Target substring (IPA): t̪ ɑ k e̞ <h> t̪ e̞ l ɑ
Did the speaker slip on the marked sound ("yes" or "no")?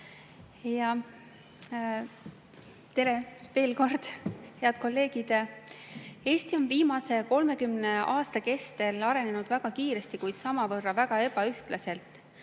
yes